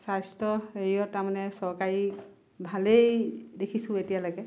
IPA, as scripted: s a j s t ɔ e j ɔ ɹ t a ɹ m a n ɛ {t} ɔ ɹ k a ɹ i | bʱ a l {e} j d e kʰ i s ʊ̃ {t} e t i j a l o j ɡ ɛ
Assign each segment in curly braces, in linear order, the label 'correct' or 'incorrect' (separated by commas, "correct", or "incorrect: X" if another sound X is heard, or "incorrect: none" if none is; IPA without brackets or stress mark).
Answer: incorrect: s, correct, incorrect: none